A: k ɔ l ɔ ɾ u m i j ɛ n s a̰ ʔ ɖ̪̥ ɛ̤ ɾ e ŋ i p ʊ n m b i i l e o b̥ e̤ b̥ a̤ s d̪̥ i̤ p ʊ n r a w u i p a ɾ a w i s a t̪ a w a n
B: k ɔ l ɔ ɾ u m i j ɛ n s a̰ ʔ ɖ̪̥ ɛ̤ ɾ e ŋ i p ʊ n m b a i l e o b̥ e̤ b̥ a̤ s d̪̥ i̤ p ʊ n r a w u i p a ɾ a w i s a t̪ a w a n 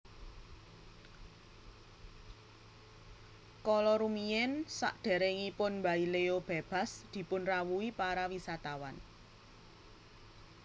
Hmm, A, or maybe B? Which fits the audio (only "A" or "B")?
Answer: B